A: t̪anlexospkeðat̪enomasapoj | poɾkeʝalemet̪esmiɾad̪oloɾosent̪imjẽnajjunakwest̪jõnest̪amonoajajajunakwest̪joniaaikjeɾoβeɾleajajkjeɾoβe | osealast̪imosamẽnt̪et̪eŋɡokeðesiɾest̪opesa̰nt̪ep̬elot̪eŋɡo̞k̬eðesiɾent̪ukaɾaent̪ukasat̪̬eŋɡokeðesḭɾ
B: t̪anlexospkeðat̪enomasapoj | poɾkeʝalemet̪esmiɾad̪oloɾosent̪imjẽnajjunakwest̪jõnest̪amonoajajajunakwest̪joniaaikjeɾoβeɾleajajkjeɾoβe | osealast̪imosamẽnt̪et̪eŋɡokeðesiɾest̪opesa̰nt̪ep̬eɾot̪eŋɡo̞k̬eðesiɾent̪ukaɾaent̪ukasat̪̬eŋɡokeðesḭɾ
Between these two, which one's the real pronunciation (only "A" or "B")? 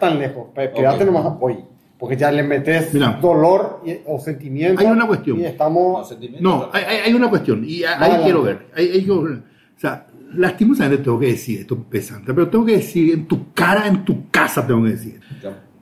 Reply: B